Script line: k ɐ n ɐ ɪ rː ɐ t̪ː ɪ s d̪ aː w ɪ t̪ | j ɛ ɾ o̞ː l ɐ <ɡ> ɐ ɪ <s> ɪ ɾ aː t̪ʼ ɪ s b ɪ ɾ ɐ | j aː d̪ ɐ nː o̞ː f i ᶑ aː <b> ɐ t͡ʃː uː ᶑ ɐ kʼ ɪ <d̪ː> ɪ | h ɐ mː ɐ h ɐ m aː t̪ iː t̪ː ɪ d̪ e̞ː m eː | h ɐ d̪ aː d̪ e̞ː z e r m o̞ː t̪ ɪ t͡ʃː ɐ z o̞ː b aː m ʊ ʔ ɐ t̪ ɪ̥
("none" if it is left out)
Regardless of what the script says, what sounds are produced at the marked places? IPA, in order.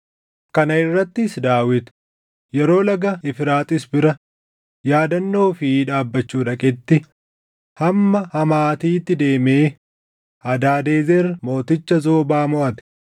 ɡ, f, bː, t̪ː

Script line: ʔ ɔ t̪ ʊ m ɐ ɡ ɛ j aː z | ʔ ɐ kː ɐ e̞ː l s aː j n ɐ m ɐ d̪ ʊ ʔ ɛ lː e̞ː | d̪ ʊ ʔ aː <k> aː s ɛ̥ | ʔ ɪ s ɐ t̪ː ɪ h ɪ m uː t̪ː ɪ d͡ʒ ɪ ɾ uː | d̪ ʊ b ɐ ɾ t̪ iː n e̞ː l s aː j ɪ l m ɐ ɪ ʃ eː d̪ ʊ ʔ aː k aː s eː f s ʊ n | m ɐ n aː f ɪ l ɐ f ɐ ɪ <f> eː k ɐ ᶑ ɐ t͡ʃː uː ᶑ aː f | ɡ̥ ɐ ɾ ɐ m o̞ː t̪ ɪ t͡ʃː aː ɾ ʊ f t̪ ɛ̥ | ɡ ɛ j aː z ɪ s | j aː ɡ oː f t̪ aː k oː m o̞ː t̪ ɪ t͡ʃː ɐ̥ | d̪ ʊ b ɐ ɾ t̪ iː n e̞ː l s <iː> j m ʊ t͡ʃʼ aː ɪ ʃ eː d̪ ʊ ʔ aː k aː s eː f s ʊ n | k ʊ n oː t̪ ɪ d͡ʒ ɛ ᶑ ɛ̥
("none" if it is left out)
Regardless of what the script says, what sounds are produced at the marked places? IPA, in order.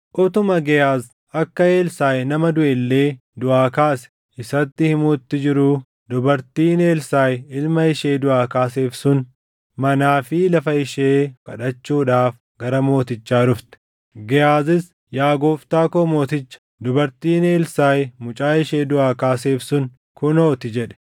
k, ʃ, aː

